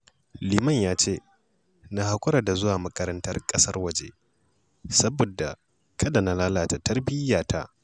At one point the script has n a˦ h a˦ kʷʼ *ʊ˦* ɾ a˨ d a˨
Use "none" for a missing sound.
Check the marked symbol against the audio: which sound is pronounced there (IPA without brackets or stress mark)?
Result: ʊ˦